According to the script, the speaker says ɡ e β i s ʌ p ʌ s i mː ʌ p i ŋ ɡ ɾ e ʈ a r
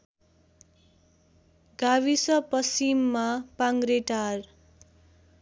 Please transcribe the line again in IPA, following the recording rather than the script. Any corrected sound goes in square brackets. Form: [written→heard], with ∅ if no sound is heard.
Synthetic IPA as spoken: ɡ [e→a] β i s ʌ p ʌ s i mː [ʌ→a] p [i→a] ŋ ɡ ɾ e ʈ a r